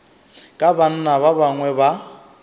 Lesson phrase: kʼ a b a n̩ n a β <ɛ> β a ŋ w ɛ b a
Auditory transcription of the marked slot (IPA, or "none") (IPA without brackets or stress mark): a